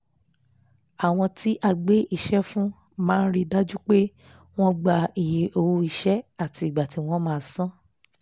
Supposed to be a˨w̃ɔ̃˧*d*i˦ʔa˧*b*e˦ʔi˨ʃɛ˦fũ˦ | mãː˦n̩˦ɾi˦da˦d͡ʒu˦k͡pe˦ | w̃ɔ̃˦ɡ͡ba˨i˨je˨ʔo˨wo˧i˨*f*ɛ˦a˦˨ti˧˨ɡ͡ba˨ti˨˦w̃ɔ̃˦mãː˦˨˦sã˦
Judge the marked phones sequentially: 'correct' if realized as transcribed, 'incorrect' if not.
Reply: incorrect: t, incorrect: ɡ͡b, incorrect: ʃ

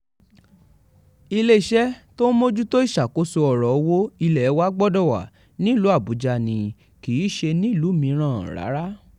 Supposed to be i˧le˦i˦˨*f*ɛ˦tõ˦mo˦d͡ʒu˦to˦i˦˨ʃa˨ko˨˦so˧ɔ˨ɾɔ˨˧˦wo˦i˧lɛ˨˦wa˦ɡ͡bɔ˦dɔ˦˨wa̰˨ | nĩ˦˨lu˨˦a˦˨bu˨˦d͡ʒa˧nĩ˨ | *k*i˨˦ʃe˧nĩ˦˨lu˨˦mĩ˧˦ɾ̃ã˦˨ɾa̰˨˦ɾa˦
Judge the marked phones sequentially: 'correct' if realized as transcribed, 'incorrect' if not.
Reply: incorrect: ʃ, correct

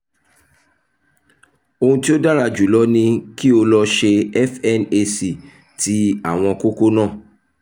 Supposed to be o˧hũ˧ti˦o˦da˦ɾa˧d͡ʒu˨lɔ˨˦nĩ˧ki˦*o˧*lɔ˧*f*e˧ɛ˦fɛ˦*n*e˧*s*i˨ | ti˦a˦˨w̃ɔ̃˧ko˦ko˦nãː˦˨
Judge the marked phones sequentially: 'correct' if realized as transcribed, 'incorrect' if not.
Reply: correct, incorrect: ʃ, correct, correct

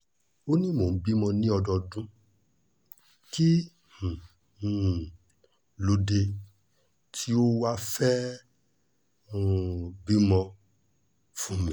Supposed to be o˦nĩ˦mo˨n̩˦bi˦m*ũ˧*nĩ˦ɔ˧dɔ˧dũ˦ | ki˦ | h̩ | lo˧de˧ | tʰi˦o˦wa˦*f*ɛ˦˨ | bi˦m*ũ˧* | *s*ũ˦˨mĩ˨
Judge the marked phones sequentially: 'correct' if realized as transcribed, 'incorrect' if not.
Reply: incorrect: ɔ̃˧, correct, incorrect: ɔ̃˧, incorrect: f

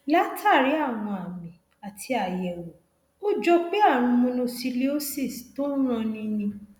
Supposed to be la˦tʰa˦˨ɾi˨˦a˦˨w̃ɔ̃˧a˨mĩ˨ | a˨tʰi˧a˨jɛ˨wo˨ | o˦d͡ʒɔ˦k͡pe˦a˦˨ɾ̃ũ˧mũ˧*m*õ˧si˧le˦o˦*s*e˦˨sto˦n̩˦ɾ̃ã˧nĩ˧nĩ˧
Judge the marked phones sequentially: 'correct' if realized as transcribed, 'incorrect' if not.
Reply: incorrect: n, correct

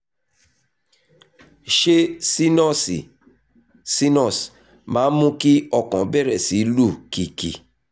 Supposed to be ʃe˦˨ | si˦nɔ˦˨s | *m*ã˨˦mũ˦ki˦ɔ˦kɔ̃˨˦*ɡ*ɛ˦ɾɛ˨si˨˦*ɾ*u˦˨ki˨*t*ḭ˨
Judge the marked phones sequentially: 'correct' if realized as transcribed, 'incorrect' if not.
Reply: correct, incorrect: b, incorrect: l, incorrect: k

